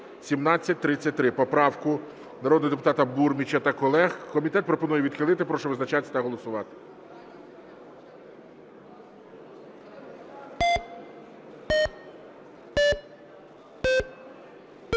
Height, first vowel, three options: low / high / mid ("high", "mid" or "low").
high